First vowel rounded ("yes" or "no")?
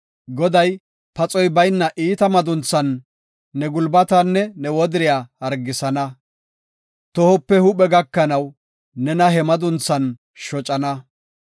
yes